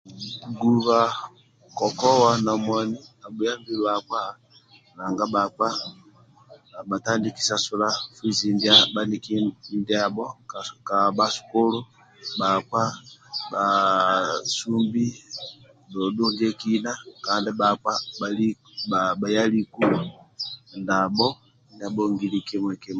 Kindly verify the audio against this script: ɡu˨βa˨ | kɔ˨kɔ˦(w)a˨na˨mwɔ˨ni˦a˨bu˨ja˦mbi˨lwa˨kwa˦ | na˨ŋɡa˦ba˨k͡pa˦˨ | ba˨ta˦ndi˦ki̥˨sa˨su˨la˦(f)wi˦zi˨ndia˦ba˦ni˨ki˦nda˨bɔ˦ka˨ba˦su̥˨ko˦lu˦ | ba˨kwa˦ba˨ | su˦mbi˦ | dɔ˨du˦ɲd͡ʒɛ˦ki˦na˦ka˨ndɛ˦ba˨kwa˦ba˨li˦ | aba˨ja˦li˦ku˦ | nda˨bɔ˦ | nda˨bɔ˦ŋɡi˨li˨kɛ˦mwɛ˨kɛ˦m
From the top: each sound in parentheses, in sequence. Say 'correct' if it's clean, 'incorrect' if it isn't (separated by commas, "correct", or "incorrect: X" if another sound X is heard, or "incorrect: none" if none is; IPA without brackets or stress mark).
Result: correct, correct